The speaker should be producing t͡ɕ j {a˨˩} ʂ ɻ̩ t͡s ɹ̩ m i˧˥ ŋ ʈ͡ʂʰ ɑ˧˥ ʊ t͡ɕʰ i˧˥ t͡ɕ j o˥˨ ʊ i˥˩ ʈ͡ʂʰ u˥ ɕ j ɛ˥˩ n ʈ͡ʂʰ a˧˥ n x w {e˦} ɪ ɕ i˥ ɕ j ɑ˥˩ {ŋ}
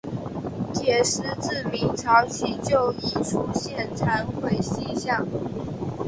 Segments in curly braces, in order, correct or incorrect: incorrect: ɛ˨˩, incorrect: e˥˩, correct

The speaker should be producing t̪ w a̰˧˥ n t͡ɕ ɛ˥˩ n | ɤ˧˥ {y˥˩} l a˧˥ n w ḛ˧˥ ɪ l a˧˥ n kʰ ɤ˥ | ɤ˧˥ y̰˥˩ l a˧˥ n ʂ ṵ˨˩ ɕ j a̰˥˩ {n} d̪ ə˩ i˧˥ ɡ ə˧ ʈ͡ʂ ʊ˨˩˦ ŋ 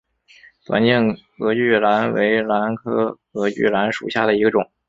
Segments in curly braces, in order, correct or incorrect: correct, incorrect: none

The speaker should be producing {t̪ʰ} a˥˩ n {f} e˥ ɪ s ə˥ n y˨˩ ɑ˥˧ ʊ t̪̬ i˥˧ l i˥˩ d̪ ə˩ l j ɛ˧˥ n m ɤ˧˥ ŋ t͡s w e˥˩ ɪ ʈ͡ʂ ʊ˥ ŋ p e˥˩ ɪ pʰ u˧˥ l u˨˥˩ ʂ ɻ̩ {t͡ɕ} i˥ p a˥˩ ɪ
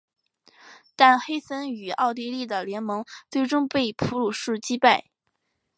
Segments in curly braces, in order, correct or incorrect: incorrect: t̪, incorrect: x, correct

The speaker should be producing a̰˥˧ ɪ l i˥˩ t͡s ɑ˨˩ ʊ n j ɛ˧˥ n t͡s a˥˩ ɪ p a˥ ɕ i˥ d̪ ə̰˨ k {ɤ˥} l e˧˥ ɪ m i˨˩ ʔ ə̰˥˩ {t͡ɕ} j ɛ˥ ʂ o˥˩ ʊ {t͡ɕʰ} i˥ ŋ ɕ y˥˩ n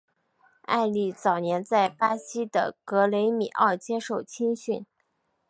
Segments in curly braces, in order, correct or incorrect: incorrect: ɤ˧˥, correct, correct

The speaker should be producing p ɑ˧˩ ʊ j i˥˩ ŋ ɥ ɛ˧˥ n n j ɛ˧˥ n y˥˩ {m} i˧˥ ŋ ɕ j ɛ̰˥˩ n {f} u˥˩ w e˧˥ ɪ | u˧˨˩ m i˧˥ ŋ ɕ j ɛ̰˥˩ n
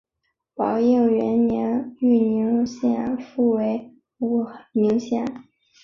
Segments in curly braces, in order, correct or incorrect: incorrect: n, correct

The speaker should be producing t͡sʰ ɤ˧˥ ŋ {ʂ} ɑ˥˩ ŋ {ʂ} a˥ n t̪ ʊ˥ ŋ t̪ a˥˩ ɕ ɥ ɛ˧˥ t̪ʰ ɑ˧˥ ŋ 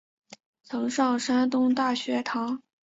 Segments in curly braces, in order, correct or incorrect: correct, correct

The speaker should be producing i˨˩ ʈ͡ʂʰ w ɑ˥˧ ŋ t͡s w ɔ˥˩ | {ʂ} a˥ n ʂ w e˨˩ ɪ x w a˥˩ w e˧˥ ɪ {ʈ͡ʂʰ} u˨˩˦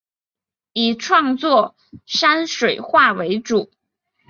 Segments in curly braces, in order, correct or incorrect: correct, incorrect: ʈ͡ʂ

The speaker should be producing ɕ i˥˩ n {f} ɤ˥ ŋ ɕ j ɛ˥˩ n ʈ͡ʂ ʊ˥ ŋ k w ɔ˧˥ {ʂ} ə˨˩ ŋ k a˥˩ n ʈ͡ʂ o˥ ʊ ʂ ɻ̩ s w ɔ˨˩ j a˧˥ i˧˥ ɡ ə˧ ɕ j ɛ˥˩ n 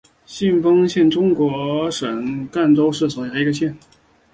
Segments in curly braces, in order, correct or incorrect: correct, correct

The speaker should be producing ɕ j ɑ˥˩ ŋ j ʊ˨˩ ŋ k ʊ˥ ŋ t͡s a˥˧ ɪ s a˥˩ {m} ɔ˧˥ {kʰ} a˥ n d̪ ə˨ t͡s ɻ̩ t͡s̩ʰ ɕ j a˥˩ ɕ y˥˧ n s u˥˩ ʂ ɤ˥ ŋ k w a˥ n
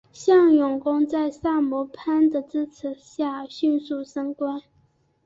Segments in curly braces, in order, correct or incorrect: correct, incorrect: pʰ

